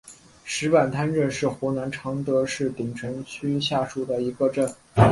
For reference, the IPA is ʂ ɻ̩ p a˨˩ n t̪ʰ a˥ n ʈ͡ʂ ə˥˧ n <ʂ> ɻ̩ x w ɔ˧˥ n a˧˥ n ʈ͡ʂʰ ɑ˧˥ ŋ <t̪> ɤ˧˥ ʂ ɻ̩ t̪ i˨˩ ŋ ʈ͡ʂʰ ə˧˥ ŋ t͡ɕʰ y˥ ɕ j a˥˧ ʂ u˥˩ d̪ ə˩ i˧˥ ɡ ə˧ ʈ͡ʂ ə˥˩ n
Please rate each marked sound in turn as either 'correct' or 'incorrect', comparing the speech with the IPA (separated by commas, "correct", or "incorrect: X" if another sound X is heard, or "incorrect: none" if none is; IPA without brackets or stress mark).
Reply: correct, correct